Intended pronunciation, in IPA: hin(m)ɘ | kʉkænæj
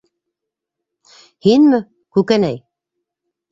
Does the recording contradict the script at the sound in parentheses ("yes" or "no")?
no